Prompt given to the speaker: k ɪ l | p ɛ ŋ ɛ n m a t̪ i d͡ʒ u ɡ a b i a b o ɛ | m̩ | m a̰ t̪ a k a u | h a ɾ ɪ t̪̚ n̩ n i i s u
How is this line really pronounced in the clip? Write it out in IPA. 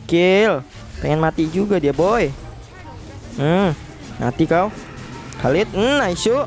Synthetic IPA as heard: k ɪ l | p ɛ ŋ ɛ n m a t̪ i d͡ʒ u ɡ a d i a b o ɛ | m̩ | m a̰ t̪ i k a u | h a l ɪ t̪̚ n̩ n a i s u